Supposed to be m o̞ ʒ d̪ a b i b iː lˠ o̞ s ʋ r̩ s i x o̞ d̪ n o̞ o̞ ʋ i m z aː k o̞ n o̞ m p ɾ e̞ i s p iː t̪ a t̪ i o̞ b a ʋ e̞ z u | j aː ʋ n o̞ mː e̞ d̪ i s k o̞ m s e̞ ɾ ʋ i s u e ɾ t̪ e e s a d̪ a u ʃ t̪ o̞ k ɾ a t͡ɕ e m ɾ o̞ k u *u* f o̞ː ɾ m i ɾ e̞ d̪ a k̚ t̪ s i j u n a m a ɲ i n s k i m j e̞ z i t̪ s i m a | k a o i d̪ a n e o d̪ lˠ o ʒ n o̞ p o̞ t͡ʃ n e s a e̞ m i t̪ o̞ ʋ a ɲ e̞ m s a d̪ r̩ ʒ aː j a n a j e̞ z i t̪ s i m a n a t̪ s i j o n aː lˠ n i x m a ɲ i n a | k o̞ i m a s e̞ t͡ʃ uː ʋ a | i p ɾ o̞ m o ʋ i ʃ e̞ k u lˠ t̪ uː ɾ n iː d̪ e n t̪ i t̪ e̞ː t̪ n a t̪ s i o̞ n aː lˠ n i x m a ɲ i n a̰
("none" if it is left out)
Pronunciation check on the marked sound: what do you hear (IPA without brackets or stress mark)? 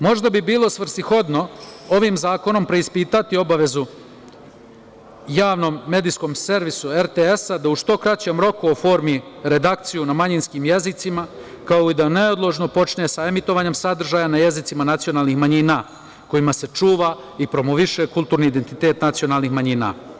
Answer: o